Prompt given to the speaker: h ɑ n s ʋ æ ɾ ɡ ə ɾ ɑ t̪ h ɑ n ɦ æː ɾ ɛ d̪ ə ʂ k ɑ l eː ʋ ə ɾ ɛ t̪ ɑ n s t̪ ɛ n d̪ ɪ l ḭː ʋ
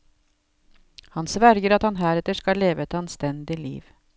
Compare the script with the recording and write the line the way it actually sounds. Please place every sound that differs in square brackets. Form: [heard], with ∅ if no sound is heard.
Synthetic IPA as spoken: h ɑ n s ʋ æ ɾ ɡ ə ɾ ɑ t̪ h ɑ n ɦ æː ɾ ɛ [t̪] ə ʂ k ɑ l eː ʋ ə [∅] ɛ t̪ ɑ n s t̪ ɛ n d̪ ɪ l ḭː ʋ